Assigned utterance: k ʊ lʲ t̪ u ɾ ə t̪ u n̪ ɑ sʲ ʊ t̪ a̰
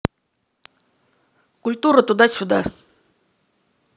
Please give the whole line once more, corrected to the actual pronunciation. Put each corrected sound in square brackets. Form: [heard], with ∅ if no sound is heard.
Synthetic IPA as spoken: k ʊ lʲ t̪ u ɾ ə t̪ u [d̪] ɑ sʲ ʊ [d̪] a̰